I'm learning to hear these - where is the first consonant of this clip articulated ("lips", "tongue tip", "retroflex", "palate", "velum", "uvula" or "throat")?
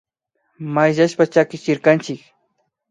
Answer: lips